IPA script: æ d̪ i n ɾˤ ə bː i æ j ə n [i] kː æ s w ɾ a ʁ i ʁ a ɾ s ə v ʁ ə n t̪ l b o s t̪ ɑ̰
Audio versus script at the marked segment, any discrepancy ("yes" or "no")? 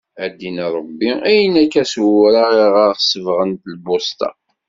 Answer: yes